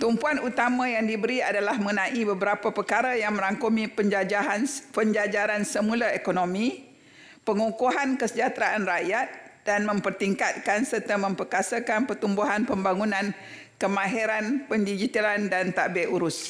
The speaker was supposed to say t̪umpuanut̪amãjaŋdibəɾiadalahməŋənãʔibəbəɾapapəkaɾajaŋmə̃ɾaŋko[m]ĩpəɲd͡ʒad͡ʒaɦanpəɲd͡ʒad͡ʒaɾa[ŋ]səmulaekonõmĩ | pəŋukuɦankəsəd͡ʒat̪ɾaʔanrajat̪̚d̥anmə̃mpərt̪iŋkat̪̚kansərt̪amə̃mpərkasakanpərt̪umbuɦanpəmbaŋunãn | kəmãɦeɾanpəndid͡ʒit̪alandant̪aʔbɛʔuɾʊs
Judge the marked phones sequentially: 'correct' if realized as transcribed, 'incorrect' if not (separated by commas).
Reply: correct, incorrect